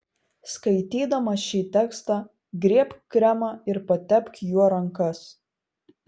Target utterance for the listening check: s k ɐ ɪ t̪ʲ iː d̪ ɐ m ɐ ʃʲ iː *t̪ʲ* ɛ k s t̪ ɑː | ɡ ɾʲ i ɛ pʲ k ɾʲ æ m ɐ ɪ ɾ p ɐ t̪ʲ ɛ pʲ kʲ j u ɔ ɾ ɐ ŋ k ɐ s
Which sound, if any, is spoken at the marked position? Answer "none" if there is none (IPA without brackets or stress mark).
t̪ʲ